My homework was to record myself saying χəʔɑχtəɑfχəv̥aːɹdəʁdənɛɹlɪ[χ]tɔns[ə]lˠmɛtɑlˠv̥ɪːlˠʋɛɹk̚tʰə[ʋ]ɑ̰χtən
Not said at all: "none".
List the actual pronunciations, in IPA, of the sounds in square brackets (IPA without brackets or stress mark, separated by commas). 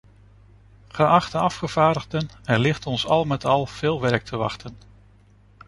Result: χ, ɑ, ʋ